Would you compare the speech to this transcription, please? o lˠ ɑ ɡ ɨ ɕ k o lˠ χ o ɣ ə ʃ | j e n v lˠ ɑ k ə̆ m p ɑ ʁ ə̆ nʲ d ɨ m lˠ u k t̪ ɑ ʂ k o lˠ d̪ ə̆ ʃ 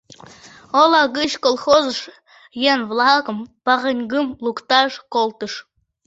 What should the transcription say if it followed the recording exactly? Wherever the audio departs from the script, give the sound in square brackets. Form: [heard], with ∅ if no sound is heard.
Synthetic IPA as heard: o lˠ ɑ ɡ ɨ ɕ k o lˠ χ o [z] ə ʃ | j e n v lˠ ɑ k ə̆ m p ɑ ʁ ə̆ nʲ [ɡ] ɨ m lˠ u k t̪ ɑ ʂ k o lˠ [t̪] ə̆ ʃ